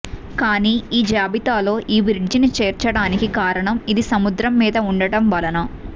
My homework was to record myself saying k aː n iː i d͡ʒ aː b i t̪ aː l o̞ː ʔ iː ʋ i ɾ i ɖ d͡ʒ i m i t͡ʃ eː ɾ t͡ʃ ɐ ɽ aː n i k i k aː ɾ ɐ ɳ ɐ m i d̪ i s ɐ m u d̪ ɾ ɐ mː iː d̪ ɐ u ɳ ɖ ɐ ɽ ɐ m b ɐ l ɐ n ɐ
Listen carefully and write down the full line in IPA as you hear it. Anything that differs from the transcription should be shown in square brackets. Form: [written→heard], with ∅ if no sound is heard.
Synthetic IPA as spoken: k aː n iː [i→iː] d͡ʒ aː b i t̪ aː l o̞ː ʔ iː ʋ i ɾ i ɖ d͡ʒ i [m→n] i t͡ʃ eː ɾ t͡ʃ ɐ ɽ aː n i k i k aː ɾ ɐ ɳ ɐ m i d̪ i s ɐ m u d̪ ɾ ɐ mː iː d̪ ɐ u ɳ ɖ ɐ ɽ ɐ m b ɐ l ɐ n ɐ